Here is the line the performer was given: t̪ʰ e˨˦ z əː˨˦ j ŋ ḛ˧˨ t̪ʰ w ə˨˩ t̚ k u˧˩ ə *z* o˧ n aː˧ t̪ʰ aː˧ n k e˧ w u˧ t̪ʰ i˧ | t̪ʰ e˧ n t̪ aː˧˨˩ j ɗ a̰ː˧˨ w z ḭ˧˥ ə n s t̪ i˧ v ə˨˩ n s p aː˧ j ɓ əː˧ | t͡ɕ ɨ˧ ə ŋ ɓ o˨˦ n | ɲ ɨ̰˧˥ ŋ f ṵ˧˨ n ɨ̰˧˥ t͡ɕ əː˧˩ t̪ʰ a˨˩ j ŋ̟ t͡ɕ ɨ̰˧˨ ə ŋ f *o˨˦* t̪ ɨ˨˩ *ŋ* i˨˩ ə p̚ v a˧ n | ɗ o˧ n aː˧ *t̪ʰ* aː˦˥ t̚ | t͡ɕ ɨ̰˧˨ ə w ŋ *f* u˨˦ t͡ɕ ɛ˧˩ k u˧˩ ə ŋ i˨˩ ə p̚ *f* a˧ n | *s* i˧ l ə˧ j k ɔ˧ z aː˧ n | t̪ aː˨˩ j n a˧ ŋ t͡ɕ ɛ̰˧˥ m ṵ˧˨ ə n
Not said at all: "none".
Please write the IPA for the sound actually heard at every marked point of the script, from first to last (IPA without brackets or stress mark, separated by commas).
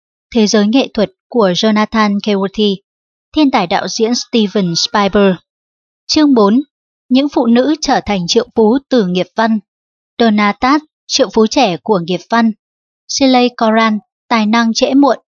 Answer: z, u˨˦, ŋ, t̪, f, v, s